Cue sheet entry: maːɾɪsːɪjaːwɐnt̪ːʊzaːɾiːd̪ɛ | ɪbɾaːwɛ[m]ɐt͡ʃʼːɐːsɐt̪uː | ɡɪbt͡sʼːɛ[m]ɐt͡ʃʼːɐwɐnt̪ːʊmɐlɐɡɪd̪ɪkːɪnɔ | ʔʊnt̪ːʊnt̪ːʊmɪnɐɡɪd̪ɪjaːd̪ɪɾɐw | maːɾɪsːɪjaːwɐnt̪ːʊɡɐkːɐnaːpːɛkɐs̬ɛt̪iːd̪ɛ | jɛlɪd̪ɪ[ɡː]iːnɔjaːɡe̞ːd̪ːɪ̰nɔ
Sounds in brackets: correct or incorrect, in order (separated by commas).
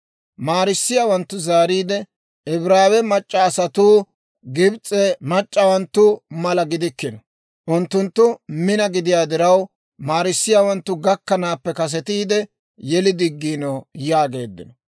correct, correct, correct